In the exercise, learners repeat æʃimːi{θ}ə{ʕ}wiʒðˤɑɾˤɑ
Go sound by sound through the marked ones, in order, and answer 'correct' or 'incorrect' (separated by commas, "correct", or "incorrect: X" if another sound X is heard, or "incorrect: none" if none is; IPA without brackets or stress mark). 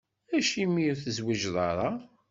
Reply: correct, incorrect: z